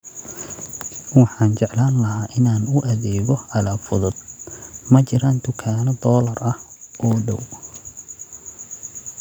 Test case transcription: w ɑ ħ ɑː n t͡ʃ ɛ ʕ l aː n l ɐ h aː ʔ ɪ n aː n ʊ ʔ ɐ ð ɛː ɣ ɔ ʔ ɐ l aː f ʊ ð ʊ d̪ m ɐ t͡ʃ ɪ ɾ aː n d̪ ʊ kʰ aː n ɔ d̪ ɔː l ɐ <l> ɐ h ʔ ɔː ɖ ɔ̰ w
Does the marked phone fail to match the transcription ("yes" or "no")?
yes